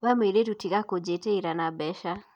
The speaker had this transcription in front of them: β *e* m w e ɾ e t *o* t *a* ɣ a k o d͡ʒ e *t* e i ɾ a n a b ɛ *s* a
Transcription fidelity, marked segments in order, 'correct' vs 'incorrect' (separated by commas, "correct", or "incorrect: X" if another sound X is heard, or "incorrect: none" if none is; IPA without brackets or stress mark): incorrect: a, incorrect: u, incorrect: i, correct, incorrect: ʃ